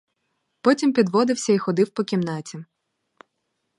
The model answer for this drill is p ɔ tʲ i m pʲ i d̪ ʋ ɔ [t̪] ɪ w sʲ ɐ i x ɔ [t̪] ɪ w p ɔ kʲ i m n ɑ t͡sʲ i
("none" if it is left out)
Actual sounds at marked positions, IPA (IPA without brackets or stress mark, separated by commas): d̪, d̪